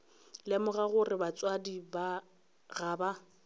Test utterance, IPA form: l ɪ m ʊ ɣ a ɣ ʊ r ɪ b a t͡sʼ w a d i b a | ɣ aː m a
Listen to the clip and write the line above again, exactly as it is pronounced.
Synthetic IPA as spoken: l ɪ m ʊ ɣ a ɣ ʊ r ɪ b a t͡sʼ w a d i b a | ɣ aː b a